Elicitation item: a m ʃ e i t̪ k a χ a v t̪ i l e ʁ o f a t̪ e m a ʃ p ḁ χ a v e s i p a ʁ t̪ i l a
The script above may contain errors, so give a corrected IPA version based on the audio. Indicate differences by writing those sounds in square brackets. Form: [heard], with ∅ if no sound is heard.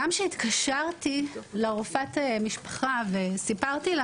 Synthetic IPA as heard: a m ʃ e i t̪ k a [ʃ] a [ʁ] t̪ i l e ʁ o f a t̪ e m [i] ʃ p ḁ χ a v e s i p a ʁ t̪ i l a